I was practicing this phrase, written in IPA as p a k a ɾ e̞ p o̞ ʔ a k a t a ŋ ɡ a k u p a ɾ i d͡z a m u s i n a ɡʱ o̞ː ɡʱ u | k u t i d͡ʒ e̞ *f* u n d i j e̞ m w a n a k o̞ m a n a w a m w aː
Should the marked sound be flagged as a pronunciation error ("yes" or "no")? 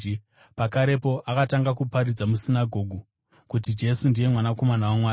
yes